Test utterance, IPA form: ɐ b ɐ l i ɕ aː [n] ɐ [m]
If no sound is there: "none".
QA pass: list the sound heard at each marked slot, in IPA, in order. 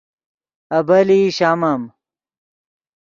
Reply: m, m

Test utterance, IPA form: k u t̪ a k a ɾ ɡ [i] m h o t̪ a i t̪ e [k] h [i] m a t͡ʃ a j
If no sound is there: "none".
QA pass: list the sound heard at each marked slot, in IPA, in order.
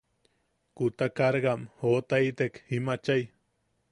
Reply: a, k, i

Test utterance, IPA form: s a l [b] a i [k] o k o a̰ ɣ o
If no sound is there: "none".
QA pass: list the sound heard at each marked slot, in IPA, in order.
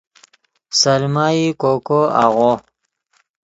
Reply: m, k

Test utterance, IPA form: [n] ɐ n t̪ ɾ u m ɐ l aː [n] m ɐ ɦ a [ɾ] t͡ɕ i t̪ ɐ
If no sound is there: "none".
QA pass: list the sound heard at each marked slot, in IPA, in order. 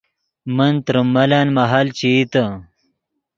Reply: m, n, l

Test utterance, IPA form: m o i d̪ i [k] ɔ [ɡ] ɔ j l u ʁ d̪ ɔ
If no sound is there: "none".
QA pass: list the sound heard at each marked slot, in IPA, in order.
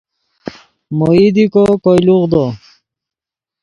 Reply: k, k

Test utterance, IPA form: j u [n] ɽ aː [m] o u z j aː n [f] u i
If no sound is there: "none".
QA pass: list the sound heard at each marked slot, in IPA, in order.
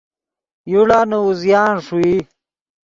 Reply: none, n, ʂ

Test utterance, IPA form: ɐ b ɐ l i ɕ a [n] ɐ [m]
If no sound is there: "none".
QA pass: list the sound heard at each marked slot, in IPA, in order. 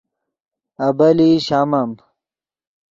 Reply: m, m

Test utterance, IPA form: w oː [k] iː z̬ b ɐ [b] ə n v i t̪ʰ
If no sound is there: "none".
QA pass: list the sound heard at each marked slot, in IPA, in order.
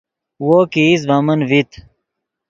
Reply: k, m

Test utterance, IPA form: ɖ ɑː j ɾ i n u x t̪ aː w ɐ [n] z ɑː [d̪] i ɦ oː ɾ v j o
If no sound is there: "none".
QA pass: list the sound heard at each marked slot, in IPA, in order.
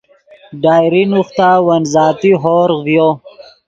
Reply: n, t̪

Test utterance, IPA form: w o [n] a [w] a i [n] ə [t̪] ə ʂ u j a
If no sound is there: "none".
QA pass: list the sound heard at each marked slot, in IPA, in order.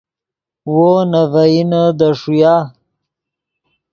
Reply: n, v, n, d̪

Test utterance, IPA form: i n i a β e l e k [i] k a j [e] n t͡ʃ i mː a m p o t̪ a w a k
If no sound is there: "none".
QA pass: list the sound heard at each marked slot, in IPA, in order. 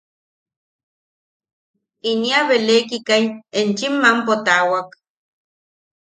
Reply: i, e

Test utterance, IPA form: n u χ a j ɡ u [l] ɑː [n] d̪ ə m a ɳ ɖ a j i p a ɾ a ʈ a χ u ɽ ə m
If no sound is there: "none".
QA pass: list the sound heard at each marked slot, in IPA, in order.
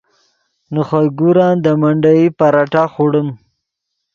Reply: ɾ, n

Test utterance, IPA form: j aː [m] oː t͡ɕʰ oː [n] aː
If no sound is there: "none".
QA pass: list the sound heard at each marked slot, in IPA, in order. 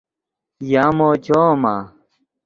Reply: m, m

